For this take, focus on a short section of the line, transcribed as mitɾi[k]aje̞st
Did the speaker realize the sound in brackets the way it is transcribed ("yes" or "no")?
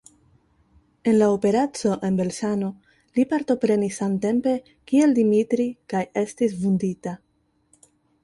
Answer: yes